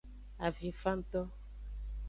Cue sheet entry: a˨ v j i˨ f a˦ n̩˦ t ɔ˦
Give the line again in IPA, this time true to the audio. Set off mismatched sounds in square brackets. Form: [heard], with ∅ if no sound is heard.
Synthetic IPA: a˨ v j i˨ f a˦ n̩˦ t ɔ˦